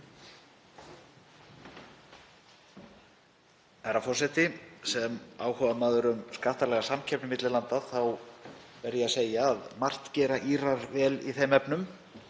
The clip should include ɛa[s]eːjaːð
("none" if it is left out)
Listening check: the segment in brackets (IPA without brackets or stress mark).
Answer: s